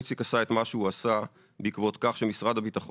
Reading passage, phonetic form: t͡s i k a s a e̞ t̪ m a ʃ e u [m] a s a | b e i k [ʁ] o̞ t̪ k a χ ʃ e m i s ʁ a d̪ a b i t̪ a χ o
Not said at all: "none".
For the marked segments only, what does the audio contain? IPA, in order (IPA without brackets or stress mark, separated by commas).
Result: none, v